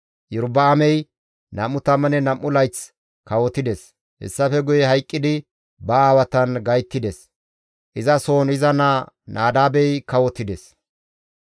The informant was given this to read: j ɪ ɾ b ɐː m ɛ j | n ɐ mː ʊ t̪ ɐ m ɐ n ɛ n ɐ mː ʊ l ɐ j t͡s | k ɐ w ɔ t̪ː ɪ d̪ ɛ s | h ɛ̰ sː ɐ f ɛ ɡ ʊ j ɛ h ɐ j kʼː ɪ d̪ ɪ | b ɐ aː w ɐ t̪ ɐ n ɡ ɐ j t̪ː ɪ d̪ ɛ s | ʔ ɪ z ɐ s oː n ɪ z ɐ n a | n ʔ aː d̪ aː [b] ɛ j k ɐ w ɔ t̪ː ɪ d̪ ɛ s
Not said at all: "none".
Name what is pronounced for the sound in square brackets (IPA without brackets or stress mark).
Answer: b